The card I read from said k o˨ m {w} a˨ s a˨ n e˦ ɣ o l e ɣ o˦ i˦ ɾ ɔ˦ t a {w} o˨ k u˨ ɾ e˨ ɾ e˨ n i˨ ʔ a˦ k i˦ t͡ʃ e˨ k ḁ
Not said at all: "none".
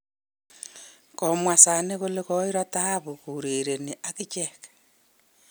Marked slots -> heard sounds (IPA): w, β

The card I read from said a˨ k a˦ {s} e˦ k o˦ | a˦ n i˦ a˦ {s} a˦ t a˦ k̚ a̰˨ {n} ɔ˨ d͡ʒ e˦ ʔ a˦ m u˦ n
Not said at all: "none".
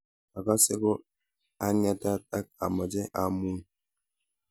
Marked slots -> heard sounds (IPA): s, t, m

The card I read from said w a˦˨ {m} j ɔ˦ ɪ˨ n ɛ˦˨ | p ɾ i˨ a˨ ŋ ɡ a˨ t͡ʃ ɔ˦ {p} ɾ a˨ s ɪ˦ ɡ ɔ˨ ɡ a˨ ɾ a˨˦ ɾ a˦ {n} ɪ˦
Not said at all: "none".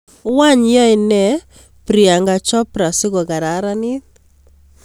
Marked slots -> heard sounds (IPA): ɲ, p, n

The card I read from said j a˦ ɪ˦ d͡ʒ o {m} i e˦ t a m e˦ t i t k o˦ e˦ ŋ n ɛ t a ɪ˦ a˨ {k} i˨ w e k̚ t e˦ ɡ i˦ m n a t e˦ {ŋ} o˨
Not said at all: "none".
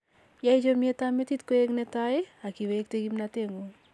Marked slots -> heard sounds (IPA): m, k, ŋ

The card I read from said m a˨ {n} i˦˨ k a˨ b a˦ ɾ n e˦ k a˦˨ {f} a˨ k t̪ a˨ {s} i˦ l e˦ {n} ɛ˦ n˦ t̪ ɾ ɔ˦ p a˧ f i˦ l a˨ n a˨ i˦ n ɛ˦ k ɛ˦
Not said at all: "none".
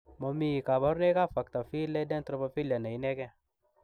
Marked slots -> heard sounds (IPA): m, f, f, d

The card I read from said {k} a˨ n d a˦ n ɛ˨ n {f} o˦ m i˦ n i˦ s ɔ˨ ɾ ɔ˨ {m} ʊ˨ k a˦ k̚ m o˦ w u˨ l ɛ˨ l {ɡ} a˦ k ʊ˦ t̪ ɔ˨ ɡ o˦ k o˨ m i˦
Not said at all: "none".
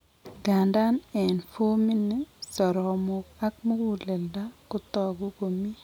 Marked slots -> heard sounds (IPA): ɡ, f, m, d

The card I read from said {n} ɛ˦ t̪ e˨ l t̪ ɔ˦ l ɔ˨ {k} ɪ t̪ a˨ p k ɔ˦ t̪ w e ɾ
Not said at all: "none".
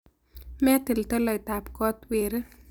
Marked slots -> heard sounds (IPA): m, none

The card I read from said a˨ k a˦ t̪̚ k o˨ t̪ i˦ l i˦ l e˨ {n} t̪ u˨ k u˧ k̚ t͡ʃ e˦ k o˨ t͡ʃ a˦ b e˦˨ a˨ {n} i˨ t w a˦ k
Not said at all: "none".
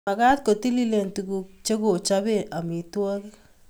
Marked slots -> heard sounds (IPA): n, m

